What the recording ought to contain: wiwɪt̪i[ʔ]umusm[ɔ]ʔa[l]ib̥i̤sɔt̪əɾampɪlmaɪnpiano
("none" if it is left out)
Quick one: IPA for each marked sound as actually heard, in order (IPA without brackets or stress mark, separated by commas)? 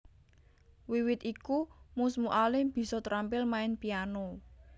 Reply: k, u, l